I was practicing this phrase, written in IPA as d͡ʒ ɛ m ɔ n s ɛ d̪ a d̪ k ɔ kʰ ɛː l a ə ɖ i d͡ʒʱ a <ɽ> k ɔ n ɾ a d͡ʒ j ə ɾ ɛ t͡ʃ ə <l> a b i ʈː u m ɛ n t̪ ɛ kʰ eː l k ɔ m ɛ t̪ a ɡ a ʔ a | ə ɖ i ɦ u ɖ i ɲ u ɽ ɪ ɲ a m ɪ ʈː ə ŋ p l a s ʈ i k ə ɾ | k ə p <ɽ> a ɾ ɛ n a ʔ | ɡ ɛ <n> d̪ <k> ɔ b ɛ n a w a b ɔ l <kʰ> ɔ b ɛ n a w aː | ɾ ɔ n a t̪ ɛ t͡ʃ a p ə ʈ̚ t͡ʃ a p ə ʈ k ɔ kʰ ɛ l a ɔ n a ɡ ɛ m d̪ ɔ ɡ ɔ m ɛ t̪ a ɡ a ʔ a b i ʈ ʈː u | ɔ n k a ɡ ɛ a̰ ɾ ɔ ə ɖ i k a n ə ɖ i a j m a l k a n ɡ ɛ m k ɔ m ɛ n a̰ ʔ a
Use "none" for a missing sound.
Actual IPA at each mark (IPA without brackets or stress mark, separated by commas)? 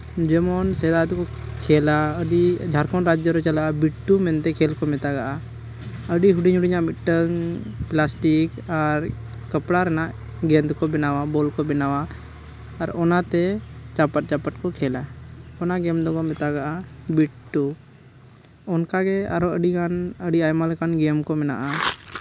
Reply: ɾ, l, ɽ, n, k, k